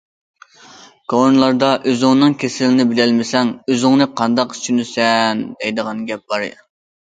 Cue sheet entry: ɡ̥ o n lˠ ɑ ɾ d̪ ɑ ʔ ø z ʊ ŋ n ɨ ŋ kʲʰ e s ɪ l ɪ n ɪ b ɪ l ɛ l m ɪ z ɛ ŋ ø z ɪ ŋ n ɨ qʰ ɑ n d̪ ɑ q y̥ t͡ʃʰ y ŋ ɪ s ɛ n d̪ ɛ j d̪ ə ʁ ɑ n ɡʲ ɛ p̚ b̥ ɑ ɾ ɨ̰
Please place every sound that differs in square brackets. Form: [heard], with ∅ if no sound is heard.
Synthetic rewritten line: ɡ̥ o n lˠ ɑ ɾ d̪ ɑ ʔ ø z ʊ ŋ n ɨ ŋ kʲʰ e s ɪ l ɪ n ɪ b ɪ l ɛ l m ɪ [s] ɛ ŋ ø z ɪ ŋ n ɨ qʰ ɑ n d̪ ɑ q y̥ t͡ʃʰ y [n] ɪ s ɛ n d̪ ɛ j d̪ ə ʁ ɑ n ɡʲ ɛ p̚ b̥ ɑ ɾ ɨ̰